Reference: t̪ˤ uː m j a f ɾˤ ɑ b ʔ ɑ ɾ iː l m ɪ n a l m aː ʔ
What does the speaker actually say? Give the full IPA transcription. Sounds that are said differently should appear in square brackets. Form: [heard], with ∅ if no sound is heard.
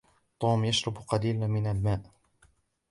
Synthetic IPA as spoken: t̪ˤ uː m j a [ʃ] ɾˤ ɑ b [q] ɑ [l] iː l m ɪ n a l m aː ʔ